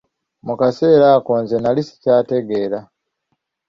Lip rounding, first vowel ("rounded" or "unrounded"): rounded